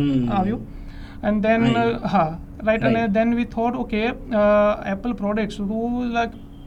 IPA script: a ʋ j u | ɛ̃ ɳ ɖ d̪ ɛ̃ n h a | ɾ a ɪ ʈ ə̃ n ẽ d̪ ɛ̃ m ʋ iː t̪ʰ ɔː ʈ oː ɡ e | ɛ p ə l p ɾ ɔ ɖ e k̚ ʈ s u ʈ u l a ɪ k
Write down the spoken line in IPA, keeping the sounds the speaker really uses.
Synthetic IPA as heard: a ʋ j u | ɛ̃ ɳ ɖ d̪ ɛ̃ n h a | ɾ a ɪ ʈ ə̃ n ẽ d̪ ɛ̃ n ʋ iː t̪ʰ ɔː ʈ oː k e | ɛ p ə l p ɾ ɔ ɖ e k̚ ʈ s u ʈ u l a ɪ k